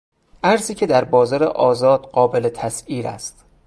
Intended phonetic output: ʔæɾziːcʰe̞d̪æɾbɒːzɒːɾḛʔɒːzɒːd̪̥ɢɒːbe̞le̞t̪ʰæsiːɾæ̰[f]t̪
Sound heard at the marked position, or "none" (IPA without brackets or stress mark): s